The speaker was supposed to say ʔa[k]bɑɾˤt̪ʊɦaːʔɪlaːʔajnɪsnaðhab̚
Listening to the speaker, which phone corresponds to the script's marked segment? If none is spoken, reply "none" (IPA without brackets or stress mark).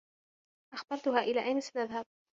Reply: x